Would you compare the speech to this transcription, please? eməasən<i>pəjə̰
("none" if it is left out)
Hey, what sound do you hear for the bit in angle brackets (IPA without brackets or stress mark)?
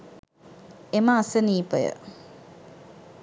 iː